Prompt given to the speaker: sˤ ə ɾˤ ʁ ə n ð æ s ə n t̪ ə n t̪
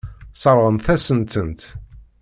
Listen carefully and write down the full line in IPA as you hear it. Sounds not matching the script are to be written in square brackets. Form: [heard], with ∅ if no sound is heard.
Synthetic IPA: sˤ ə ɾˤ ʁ ə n [θ] æ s ə n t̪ ə n t̪